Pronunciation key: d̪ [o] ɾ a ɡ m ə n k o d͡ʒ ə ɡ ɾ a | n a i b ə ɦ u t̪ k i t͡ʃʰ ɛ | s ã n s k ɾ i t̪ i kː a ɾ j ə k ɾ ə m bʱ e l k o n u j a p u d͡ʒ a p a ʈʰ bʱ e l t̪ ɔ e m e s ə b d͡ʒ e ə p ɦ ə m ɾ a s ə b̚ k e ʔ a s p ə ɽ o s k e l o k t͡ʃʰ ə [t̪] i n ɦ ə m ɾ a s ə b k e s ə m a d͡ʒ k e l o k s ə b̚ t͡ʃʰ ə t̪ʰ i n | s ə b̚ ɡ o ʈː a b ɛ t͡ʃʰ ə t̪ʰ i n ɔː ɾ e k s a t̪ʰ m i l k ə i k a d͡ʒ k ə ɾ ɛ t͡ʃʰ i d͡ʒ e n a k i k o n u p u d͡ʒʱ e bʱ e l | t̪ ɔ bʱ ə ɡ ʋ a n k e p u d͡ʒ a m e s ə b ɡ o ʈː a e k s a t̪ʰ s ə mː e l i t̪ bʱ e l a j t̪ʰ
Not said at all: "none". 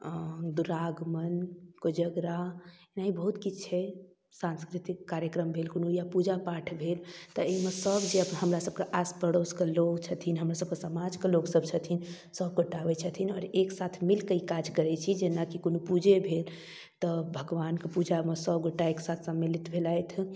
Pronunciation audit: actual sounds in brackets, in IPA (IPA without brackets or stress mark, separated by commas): u, t̪ʰ